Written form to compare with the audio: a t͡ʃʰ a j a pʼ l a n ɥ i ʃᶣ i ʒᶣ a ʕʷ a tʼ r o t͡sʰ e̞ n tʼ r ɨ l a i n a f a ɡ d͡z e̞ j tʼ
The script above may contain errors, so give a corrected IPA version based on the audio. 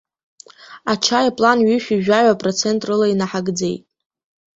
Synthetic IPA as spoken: a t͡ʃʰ a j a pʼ l a n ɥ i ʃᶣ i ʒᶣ a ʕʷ a pʼ r o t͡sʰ e̞ n tʼ r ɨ l a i n a ħ a ɡ d͡z e̞ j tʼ